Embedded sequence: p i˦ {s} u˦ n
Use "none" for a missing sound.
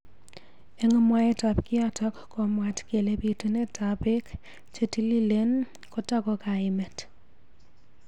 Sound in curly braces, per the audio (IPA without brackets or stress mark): t